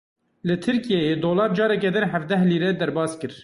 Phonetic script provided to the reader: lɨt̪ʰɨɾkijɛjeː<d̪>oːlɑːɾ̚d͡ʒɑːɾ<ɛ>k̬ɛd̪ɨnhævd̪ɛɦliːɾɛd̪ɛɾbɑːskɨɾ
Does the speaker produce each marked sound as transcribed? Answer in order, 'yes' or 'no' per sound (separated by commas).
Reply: yes, yes